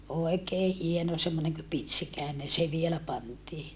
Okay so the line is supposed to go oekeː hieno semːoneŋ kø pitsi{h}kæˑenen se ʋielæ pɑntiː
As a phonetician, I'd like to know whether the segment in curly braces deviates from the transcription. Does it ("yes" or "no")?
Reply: yes